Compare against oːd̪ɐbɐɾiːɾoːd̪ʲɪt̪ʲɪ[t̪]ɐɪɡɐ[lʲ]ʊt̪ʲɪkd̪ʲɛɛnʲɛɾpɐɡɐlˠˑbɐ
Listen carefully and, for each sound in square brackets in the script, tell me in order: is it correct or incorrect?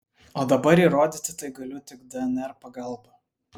correct, correct

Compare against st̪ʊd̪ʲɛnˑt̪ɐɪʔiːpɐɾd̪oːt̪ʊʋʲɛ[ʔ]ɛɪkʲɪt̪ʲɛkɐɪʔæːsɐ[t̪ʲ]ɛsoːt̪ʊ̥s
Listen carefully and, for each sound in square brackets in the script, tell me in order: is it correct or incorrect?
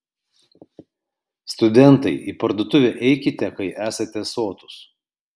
correct, correct

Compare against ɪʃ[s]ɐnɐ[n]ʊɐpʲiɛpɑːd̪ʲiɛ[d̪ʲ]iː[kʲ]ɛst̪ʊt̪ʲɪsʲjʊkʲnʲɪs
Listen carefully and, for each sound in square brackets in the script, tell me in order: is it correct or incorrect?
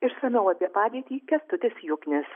correct, incorrect: none, incorrect: t̪ʲ, correct

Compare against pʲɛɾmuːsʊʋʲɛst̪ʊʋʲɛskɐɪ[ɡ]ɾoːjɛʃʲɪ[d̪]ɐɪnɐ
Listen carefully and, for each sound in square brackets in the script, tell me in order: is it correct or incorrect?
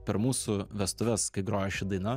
correct, correct

